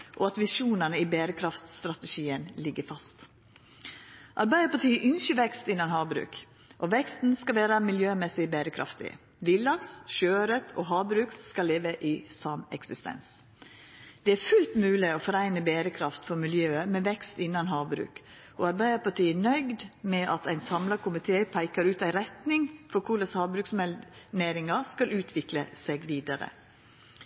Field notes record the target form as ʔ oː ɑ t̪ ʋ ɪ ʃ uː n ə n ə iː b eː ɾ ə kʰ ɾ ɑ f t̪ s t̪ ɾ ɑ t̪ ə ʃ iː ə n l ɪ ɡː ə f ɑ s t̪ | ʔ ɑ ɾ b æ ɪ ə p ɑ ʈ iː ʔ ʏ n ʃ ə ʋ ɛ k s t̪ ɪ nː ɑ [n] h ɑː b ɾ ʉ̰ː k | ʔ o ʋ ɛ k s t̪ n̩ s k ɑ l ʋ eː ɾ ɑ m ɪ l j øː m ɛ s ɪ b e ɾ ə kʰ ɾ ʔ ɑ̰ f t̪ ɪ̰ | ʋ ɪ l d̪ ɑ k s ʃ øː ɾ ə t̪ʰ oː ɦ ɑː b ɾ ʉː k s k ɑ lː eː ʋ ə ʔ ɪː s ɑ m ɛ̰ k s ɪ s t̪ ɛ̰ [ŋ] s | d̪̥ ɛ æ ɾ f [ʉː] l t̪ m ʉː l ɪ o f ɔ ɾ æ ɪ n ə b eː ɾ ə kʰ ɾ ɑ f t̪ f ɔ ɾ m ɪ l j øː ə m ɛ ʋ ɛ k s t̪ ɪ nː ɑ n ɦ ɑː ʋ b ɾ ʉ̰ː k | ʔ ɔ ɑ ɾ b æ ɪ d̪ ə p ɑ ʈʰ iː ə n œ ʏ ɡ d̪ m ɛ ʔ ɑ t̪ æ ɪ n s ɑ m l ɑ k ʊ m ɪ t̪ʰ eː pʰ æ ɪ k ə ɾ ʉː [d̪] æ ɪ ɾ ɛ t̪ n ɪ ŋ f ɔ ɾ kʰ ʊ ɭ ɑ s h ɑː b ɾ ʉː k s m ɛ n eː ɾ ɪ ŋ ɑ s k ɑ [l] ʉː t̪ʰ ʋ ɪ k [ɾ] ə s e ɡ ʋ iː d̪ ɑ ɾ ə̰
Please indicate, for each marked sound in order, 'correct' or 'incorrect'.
correct, incorrect: n, incorrect: ʉ, incorrect: t̪, correct, incorrect: l

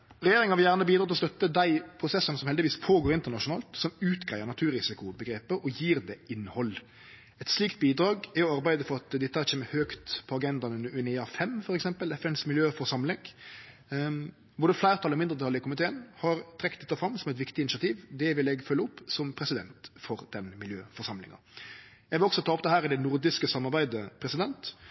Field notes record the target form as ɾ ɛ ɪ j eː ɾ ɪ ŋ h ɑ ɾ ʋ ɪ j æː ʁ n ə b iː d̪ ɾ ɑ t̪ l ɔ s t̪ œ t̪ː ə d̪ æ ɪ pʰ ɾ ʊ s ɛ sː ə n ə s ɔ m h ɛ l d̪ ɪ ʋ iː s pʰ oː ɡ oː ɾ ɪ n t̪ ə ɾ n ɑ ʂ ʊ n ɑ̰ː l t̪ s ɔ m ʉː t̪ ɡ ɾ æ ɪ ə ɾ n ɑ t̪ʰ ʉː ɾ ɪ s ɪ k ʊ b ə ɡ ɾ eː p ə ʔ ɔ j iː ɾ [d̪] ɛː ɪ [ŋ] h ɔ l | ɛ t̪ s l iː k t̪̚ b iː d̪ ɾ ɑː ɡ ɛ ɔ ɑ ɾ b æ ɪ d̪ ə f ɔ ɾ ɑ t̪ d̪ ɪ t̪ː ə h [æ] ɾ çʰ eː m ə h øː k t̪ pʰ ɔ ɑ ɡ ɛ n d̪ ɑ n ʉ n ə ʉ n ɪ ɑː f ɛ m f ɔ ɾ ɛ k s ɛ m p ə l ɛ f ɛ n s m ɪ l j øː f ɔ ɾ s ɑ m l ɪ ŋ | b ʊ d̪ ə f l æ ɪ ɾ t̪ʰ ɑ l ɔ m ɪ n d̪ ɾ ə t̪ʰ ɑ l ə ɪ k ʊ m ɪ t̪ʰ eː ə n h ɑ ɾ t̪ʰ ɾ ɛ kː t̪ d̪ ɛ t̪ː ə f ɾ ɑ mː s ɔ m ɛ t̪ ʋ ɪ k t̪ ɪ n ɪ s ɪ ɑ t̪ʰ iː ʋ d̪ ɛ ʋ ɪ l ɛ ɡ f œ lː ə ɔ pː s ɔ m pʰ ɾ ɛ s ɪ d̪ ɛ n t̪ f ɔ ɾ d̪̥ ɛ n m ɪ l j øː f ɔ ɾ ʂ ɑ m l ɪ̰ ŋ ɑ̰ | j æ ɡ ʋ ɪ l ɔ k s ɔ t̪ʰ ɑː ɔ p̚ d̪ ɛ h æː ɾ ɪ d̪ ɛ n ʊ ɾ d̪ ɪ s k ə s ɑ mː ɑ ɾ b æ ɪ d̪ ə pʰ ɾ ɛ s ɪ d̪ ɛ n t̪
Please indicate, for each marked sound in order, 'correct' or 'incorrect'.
correct, incorrect: n, correct

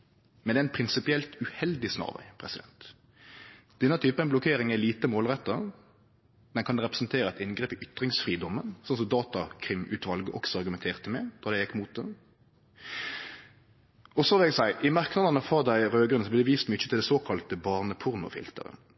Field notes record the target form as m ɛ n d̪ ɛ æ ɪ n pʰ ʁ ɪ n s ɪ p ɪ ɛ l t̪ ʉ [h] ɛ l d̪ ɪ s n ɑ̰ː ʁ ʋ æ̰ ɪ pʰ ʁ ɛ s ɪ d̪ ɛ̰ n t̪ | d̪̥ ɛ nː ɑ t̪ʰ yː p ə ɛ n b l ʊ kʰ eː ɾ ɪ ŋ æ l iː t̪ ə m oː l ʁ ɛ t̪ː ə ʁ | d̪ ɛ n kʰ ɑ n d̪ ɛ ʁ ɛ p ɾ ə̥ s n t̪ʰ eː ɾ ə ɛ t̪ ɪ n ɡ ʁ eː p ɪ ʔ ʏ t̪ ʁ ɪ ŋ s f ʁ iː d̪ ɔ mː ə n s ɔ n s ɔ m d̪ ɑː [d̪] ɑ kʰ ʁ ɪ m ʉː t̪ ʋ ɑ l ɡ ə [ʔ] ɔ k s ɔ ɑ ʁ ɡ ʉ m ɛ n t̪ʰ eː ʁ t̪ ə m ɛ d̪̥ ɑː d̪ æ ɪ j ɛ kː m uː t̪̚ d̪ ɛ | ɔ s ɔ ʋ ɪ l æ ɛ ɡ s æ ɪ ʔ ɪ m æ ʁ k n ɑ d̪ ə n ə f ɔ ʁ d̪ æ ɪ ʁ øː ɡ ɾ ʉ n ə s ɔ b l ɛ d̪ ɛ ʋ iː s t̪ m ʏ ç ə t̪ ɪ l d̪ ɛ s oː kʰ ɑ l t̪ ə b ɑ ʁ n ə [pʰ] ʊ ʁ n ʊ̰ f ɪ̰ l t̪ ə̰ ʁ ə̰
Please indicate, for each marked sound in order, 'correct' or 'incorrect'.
correct, incorrect: t̪, correct, correct

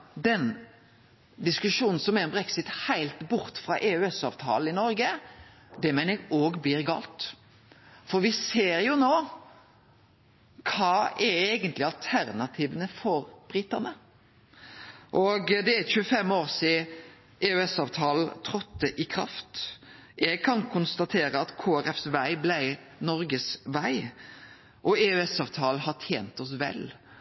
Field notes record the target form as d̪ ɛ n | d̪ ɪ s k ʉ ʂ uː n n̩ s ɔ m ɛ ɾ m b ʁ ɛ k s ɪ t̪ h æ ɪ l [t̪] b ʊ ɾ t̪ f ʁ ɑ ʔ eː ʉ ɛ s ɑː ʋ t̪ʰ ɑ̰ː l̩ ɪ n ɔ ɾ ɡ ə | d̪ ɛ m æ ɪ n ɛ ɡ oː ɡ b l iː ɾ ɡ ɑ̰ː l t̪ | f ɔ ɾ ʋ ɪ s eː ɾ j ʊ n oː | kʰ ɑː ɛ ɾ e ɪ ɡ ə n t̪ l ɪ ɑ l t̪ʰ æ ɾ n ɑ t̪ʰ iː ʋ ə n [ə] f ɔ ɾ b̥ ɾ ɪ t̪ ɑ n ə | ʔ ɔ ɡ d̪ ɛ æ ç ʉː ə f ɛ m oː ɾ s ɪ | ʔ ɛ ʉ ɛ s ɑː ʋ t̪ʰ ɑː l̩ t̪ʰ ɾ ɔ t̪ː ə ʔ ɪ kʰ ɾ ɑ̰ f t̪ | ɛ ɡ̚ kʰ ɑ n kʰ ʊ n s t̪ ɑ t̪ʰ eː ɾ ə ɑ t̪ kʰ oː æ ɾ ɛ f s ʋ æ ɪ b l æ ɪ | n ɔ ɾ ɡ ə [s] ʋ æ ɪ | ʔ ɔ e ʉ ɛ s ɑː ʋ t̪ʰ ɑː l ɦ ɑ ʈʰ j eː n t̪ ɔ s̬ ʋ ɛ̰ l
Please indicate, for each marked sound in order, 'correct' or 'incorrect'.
correct, correct, correct

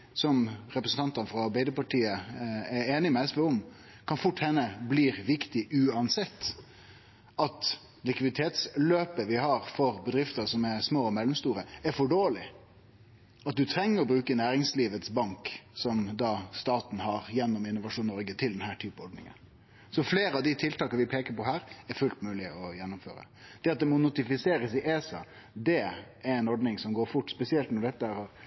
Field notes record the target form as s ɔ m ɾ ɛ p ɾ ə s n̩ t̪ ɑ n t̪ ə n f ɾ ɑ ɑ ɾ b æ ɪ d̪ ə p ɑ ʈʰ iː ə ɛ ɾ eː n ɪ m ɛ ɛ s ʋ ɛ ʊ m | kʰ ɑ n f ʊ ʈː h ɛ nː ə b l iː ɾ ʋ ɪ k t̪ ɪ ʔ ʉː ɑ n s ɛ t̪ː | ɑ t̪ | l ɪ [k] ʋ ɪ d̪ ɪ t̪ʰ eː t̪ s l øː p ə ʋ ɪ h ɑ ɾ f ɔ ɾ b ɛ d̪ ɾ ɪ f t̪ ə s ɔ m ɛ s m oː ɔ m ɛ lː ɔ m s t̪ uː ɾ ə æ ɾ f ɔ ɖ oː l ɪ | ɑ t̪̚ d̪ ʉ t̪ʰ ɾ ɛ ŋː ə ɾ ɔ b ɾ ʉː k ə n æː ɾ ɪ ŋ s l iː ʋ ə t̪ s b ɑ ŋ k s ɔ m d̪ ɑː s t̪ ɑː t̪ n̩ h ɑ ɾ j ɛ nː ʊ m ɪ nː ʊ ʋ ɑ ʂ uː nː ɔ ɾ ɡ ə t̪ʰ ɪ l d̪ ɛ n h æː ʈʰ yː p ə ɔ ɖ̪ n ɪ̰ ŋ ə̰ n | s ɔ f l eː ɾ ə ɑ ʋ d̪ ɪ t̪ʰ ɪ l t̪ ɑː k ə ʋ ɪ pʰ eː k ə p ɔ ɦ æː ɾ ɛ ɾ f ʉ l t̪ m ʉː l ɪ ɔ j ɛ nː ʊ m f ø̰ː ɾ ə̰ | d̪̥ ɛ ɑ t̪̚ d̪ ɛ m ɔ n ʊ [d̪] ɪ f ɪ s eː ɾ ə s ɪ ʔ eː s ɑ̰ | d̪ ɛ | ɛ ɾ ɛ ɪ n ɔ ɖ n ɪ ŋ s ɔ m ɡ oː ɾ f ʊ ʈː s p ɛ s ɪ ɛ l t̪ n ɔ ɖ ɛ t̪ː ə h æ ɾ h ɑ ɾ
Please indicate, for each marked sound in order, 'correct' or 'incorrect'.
correct, incorrect: t̪

